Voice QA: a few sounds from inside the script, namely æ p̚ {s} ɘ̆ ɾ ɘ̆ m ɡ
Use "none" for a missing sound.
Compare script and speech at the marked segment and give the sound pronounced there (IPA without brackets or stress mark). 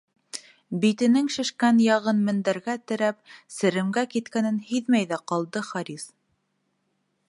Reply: s